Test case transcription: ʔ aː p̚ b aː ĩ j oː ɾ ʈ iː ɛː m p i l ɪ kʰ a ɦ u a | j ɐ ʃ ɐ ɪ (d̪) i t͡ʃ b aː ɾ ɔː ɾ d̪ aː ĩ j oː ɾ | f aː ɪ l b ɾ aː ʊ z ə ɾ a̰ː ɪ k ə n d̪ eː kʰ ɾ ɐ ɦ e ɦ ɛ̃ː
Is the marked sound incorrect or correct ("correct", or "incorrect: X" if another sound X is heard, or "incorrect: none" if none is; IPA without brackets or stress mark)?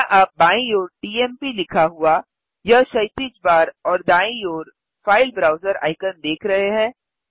incorrect: t̪